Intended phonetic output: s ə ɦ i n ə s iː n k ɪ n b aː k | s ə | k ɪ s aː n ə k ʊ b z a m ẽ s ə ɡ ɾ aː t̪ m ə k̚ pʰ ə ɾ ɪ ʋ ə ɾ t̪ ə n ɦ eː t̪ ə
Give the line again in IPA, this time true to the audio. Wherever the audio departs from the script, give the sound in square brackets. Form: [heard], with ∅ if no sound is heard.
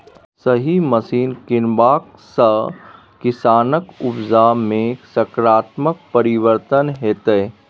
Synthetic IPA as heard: s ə ɦ i [m] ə s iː n k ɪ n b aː k | s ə | k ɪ s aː n ə k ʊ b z a m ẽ s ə [k] ɾ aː t̪ m ə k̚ [p] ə ɾ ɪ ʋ ə ɾ t̪ ə n ɦ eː t̪ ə